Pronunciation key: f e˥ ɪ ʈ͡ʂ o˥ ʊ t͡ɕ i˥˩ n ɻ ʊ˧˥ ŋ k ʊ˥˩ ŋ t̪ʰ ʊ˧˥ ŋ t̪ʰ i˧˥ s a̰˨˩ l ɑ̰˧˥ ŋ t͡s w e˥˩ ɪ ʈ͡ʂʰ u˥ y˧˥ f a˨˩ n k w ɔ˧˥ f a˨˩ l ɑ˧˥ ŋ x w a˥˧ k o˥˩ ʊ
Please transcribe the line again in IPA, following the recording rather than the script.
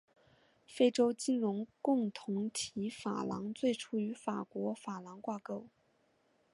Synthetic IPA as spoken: f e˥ ɪ ʈ͡ʂ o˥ ʊ t͡ɕ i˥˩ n ɻ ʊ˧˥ ŋ k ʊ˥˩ ŋ t̪ʰ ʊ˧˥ ŋ t̪ʰ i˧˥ f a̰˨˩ l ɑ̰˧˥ ŋ t͡s w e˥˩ ɪ ʈ͡ʂʰ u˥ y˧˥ f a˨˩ k w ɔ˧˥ f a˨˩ l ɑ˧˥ ŋ k w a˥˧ k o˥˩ ʊ

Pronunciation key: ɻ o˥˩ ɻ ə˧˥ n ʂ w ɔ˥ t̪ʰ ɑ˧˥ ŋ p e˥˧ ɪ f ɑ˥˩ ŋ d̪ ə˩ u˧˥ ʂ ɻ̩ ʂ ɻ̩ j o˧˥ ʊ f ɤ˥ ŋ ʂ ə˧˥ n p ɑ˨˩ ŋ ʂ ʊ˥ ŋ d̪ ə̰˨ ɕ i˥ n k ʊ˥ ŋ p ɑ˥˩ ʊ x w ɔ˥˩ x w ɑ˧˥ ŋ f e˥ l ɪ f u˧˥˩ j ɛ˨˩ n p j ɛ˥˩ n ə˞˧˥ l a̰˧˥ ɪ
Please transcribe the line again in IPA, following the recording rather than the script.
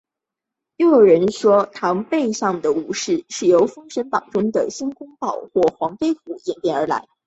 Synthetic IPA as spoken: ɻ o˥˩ ɻ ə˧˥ n ʂ w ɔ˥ t̪ʰ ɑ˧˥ ŋ p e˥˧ ɪ ʂ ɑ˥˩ ŋ d̪ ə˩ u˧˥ ʂ ɻ̩ ʂ ɻ̩ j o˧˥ ʊ f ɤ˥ ŋ ʂ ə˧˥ n p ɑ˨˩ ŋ ʈ͡ʂ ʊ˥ ŋ d̪ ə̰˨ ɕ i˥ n k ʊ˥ ŋ p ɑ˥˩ ʊ x w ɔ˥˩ x w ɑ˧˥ ŋ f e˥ ɪ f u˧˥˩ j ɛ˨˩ n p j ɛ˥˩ n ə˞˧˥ l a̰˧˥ ɪ

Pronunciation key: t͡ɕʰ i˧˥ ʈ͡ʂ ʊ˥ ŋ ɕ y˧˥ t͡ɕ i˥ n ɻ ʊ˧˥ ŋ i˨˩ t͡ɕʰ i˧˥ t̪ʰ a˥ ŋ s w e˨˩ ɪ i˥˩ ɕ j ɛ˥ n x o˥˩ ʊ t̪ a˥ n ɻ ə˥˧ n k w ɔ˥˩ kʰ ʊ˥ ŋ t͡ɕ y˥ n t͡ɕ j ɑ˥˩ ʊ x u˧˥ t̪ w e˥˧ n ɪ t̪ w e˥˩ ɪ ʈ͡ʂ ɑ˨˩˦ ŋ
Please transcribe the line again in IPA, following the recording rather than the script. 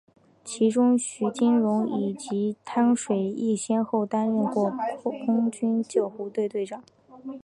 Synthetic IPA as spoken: t͡ɕʰ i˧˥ ʈ͡ʂ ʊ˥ ŋ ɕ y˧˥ t͡ɕ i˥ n ɻ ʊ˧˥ ŋ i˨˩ t͡ɕ i˧˥ t̪ʰ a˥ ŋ ʂ w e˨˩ ɪ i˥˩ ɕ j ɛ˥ n x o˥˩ ʊ t̪ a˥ n ɻ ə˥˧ n k w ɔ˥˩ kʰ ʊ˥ ŋ t͡ɕ y˥ n t͡ɕ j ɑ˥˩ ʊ x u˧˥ t̪ w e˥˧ ɪ t̪ w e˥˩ ɪ ʈ͡ʂ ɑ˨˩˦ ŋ

